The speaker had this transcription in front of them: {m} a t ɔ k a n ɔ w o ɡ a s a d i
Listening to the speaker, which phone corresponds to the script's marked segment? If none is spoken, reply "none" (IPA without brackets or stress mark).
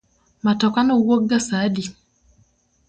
m